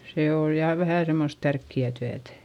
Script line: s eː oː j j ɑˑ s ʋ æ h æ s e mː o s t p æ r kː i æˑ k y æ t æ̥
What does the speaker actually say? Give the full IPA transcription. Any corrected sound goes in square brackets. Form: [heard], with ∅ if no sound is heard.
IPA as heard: s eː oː j j ɑˑ [∅] ʋ æ h æ s e mː o s t [t] æ r kː i æˑ [t] y æ t æ̥